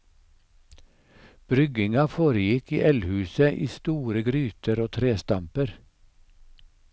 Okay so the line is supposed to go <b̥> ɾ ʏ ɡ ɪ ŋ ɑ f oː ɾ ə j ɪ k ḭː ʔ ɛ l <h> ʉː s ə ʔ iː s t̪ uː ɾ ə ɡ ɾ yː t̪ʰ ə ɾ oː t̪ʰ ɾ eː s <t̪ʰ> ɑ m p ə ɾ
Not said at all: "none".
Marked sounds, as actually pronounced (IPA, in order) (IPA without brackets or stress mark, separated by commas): b̥, h, t̪